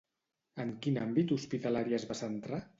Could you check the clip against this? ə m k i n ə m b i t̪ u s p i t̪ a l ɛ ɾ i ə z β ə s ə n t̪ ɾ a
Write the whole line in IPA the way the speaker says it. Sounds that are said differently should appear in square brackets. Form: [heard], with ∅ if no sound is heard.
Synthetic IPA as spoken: ə [ŋ] k i n [a] m b i t̪ u s p i t̪ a l [a] ɾ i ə z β [a] s ə n t̪ ɾ a